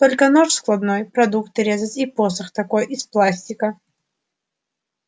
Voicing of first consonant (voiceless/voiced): voiceless